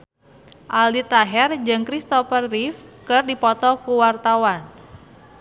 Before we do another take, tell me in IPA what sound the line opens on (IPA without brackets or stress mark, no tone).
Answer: ʔ